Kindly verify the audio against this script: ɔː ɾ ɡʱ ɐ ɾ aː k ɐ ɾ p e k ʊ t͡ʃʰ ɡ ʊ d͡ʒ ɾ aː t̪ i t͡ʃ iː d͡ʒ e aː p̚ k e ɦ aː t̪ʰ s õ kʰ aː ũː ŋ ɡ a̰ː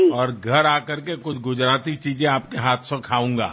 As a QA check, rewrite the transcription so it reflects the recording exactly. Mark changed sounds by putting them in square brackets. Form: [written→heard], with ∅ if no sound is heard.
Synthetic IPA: ɔː ɾ ɡʱ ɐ ɾ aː k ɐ ɾ [p→k] e k ʊ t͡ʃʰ ɡ ʊ d͡ʒ ɾ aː t̪ i t͡ʃ iː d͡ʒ [e→ẽ] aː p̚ k e ɦ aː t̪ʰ s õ kʰ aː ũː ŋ ɡ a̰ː